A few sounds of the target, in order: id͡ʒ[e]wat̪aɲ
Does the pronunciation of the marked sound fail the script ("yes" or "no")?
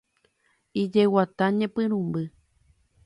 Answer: no